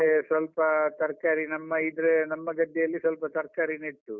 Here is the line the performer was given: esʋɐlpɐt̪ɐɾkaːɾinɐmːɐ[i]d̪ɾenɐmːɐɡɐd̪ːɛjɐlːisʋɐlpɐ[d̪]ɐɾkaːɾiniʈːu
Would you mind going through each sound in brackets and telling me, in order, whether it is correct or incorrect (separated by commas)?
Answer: correct, incorrect